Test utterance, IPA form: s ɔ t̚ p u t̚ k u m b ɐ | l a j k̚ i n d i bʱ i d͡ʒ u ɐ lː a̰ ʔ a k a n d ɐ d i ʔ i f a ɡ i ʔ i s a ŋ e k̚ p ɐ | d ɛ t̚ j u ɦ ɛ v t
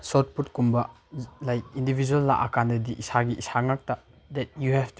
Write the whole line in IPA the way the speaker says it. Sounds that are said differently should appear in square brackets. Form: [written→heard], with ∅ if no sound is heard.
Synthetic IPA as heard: s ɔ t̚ p u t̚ k u m b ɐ | l a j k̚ i n d i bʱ i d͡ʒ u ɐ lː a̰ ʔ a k a n d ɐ d i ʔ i [f→s] a ɡ i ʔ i s a ŋ [e→a] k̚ [p→t] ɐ | d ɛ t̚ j u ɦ ɛ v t